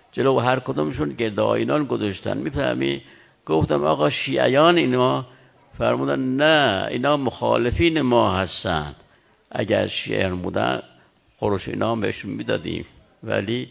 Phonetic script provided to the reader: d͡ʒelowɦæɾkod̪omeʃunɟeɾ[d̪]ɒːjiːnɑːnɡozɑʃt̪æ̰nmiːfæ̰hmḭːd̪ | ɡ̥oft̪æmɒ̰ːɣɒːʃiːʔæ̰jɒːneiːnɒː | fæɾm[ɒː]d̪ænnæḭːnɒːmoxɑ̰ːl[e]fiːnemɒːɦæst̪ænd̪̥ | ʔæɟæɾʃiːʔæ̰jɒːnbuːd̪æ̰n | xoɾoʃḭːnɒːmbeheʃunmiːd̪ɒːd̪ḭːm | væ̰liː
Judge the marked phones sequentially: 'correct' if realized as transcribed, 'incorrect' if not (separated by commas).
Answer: correct, incorrect, correct